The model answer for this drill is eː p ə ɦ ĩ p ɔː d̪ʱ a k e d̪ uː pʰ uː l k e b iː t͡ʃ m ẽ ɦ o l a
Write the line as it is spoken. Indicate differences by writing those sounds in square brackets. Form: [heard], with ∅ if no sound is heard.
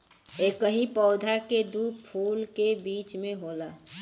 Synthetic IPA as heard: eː [k] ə ɦ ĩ p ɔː d̪ʱ a k e d̪ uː pʰ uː l k e b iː t͡ʃ m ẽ ɦ o l a